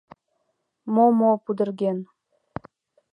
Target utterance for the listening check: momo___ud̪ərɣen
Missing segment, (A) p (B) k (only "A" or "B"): A